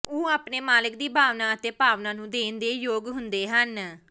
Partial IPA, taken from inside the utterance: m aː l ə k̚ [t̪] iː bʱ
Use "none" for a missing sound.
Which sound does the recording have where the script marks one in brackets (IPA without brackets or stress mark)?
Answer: d̪